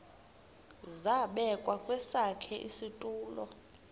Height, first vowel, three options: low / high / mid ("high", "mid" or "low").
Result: low